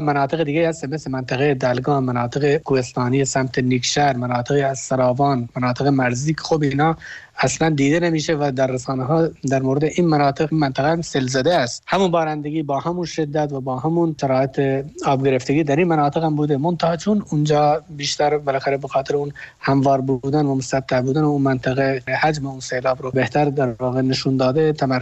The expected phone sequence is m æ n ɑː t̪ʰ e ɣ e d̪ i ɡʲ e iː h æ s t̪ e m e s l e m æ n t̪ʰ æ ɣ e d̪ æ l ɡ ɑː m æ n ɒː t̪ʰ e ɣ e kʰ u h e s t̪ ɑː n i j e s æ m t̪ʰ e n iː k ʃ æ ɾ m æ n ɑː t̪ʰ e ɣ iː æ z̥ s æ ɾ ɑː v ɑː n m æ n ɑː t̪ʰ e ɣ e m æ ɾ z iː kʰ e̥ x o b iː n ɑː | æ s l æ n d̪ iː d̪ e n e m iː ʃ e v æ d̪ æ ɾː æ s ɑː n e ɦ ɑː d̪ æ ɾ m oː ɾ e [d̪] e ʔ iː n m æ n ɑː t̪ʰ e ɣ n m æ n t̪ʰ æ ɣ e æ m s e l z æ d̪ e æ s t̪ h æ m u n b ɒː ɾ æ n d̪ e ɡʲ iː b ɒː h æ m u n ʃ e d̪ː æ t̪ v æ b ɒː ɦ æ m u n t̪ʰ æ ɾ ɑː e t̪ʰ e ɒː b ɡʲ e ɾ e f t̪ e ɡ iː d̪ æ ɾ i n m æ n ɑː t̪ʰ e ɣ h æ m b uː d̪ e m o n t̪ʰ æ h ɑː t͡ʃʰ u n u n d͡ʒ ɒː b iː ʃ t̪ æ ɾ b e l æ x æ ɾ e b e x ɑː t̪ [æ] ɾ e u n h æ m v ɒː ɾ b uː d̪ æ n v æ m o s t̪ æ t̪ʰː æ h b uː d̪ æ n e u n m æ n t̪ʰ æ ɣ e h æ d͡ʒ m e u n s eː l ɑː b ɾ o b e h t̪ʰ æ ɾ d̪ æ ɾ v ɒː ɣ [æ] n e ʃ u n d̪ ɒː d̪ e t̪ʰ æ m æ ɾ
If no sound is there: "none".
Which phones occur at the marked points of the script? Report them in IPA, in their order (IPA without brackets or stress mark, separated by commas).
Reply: d̪, e, e